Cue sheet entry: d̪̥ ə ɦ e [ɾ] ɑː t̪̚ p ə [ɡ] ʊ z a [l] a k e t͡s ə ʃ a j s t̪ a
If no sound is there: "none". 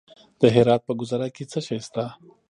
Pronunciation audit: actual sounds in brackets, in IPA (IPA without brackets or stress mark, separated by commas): ɾ, ɡ, ɾ